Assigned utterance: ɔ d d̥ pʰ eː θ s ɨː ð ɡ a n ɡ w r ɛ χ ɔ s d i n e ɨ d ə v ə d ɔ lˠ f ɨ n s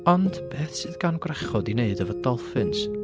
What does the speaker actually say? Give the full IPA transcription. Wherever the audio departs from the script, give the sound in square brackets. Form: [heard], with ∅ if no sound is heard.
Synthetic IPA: ɔ [n] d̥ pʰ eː θ s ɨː ð ɡ a n ɡ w r ɛ χ ɔ [∅] d i n e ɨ d ə v ə d ɔ lˠ f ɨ n s